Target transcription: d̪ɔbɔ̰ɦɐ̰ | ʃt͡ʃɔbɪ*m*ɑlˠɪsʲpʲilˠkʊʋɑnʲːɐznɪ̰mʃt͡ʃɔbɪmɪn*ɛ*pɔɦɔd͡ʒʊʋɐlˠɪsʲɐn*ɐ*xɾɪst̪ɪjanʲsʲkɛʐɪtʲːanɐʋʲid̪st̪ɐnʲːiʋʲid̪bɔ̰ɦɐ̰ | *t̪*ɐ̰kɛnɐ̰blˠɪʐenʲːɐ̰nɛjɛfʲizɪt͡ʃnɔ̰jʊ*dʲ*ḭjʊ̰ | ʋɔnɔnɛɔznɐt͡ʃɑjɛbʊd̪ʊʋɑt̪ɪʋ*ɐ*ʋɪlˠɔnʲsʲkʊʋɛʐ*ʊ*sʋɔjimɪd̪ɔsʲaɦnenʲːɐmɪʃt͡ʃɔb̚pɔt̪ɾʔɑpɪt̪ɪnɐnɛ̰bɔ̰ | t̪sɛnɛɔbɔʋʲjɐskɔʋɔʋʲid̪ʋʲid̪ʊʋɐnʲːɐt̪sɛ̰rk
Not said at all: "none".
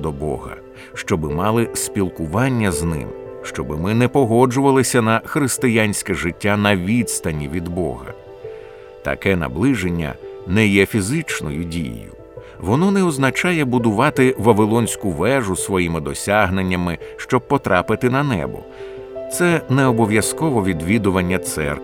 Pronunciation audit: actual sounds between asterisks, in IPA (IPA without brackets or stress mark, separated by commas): m, ɛ, ɐ, t̪, dʲ, ɐ, ʊ